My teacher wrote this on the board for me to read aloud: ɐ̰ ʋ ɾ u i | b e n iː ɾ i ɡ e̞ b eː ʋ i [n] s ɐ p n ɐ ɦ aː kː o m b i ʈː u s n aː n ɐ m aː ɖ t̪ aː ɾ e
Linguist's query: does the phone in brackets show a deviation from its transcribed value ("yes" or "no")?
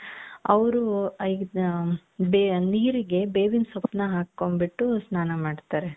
no